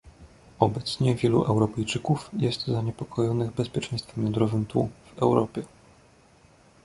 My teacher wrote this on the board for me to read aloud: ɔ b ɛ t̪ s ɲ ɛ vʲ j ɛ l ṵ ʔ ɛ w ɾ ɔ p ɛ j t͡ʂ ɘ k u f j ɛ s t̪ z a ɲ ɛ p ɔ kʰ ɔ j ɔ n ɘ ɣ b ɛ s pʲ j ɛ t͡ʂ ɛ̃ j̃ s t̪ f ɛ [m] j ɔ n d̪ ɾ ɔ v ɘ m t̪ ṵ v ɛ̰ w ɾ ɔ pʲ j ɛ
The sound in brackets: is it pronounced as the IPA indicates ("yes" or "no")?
yes